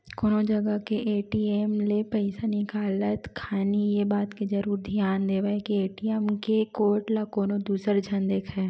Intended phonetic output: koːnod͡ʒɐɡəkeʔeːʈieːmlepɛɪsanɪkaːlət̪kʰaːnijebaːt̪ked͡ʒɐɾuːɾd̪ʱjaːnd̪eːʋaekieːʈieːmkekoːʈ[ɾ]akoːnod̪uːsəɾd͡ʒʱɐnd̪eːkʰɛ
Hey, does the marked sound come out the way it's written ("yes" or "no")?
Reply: no